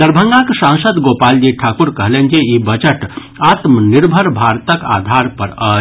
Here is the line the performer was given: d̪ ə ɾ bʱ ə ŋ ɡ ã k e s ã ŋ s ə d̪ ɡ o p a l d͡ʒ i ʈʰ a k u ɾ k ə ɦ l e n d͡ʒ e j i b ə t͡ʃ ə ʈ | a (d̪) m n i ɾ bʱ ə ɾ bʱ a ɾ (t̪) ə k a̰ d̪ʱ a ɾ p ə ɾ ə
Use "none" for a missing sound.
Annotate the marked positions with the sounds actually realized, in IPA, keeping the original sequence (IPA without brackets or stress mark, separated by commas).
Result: t̪, t̪